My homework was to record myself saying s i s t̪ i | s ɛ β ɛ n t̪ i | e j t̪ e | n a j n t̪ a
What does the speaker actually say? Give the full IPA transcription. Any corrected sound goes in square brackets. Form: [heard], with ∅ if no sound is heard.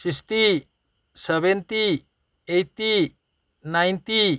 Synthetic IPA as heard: s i s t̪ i | s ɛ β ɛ n t̪ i | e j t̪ [i] | n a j n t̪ [i]